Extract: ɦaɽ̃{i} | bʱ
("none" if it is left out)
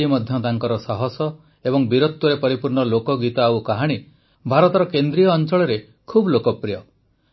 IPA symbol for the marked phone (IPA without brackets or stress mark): i